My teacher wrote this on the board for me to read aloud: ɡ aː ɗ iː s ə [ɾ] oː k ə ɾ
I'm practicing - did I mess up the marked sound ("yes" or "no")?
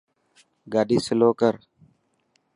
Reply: yes